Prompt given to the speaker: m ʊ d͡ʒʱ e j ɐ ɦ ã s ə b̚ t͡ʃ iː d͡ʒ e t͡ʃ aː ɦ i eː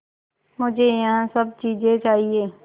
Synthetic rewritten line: m ʊ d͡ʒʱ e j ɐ ɦ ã s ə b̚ t͡ʃ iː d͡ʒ e t͡ʃ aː ɦ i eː